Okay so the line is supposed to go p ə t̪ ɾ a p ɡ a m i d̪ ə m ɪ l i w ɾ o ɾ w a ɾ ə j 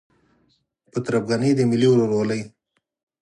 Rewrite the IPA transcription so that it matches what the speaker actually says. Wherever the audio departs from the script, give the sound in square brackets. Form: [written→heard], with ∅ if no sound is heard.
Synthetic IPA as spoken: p ə t̪ ɾ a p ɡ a [m→n] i d̪ ə m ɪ l i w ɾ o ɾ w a [ɾ→l] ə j